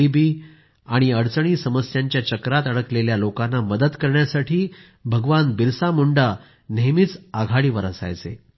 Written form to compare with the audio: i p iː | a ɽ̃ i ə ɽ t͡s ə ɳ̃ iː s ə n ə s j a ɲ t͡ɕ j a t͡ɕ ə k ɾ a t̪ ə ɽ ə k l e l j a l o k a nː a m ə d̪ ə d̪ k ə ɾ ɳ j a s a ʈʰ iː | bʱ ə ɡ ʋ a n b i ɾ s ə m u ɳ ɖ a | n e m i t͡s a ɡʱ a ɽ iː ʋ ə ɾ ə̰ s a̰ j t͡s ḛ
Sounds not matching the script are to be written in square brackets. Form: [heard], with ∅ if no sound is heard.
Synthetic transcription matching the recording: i [b] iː | a ɽ̃ i ə ɽ t͡s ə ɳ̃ iː s ə [m] ə s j a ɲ t͡ɕ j a t͡ɕ ə k ɾ a t̪ ə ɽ ə k l e l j a l o k a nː a m ə d̪ ə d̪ k ə ɾ ɳ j a s a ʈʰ iː | bʱ ə ɡ ʋ a n b i ɾ s [a] m u ɳ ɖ a | n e m i t͡s a ɡʱ a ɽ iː ʋ ə ɾ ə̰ s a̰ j t͡s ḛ